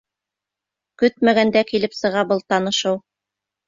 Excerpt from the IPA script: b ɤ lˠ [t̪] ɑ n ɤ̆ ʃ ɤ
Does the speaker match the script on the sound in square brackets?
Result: yes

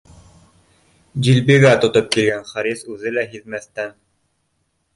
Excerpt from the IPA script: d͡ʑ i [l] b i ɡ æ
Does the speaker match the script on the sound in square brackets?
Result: yes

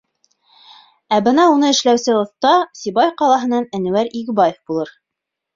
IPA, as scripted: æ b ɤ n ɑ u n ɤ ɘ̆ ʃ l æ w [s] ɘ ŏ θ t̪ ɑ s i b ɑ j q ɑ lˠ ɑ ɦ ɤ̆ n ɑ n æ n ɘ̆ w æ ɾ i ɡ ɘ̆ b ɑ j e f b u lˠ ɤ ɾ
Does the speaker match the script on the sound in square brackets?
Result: yes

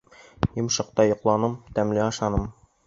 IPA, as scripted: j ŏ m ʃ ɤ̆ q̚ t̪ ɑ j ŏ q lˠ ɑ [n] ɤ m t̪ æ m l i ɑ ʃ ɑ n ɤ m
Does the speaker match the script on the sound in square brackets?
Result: yes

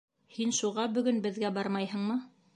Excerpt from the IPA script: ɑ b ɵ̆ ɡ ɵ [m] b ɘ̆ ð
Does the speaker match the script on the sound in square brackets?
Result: no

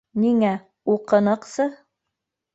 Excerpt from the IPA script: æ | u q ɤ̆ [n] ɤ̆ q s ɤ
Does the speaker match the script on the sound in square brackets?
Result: yes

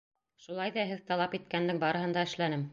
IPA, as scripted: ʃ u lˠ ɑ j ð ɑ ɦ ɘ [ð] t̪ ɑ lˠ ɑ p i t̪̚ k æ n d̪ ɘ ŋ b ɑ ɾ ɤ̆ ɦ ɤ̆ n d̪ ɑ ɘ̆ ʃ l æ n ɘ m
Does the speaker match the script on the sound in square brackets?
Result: yes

